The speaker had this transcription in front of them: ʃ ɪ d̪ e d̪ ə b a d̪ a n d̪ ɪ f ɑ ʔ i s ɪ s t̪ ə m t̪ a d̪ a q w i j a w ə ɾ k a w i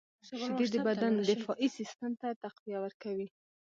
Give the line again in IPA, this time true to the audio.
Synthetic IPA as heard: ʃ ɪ d̪ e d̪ ə b a d̪ a n d̪ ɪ f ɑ ʔ i s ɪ s t̪ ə m t̪ a t̪ a q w i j a w ə ɾ k a w i